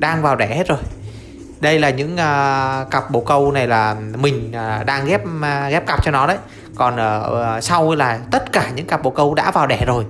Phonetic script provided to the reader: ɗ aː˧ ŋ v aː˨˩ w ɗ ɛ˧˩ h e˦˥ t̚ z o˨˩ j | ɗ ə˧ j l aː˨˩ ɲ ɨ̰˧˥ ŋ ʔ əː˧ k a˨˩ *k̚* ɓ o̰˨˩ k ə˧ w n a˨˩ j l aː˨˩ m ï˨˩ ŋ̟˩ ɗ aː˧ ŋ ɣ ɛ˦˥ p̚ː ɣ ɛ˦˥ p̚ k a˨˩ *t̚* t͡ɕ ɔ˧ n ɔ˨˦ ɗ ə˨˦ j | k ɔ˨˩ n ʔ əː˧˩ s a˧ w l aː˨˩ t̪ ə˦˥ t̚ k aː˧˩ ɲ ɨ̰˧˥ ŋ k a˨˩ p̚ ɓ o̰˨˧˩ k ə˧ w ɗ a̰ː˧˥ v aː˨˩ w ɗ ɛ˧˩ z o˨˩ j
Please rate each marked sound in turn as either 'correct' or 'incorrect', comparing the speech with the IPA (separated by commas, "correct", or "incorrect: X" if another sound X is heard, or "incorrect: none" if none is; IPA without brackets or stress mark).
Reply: incorrect: p̚, incorrect: p̚